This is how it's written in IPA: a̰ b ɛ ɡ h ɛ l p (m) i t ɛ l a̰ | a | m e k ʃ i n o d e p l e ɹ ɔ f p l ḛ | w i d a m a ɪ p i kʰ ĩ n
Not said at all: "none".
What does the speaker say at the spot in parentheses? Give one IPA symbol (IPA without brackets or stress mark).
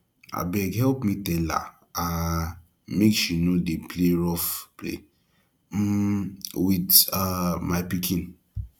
m